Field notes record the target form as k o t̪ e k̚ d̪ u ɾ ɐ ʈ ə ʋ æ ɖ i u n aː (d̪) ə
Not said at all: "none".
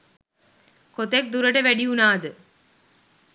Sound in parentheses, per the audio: d̪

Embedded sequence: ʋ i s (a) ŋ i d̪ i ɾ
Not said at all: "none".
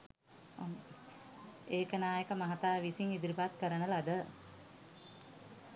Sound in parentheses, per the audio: i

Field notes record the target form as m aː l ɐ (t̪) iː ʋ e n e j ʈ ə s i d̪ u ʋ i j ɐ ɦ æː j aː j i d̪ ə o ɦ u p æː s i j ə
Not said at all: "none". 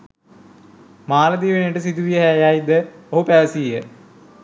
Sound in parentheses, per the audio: d̪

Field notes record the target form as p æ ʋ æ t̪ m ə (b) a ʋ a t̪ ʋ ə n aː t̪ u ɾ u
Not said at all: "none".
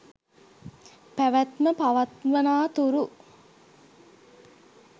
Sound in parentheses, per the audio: p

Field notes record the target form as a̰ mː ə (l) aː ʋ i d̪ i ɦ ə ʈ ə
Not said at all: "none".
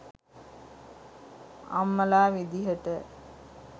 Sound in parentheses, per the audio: l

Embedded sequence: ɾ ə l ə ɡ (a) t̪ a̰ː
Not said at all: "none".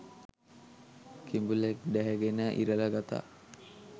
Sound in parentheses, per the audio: a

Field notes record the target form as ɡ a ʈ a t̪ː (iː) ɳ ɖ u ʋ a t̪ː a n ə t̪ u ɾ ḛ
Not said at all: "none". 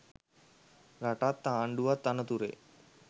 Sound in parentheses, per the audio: aː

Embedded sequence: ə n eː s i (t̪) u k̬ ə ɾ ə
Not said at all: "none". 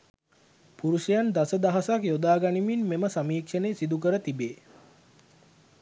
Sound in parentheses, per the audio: d̪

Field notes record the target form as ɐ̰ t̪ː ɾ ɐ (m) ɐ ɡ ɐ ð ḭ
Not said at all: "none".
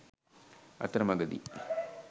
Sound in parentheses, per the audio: m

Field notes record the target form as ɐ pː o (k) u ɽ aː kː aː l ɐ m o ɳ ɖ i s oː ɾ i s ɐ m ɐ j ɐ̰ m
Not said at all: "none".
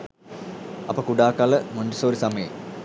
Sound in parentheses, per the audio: k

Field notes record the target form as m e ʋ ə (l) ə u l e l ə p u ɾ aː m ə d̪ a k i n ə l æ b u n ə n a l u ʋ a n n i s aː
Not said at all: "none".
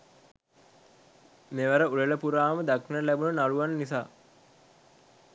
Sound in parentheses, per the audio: ɾ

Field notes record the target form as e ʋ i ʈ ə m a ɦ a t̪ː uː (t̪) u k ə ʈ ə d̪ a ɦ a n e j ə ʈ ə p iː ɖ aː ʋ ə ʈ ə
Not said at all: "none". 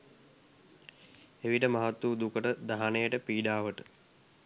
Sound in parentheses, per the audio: d̪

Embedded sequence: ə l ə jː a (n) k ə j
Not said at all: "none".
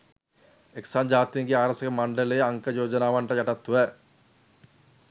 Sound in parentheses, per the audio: ŋ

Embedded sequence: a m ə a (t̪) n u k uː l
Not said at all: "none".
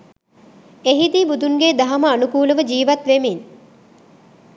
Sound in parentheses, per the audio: none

